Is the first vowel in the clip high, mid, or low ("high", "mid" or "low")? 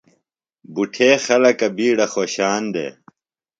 high